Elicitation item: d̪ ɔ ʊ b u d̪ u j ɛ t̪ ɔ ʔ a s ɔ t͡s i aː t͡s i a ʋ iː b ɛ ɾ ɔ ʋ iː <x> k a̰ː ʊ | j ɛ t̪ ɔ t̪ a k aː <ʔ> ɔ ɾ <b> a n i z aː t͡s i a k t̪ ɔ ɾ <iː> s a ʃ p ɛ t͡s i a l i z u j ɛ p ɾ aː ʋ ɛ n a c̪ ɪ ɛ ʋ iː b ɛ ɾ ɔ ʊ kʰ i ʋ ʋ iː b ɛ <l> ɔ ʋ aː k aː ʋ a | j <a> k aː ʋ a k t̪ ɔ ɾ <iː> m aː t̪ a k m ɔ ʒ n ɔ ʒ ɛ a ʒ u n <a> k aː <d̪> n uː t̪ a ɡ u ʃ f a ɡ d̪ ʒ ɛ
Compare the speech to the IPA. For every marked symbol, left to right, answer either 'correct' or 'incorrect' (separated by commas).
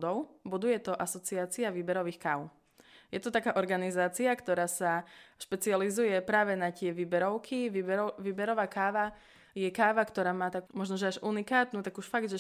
correct, correct, incorrect, incorrect, incorrect, incorrect, incorrect, incorrect, incorrect